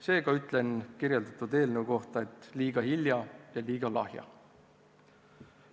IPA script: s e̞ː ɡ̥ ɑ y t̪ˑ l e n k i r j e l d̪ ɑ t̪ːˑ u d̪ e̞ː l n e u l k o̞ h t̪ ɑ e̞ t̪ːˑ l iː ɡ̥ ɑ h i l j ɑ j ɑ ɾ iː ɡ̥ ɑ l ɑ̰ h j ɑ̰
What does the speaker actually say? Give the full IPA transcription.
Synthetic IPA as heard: s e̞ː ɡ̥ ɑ y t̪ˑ l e n k i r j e l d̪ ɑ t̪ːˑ u d̪ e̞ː l n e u k o̞ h t̪ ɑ e̞ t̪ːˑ l iː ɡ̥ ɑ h i l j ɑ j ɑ l iː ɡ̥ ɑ l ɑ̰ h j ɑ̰